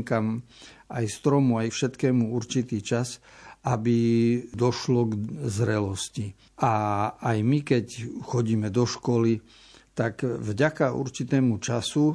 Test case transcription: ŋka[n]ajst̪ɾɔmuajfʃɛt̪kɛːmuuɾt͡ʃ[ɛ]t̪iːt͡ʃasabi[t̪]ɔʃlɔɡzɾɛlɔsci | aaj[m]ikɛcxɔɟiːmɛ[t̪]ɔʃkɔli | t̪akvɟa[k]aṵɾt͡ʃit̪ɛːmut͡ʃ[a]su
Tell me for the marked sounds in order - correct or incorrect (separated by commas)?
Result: incorrect, incorrect, incorrect, correct, incorrect, correct, correct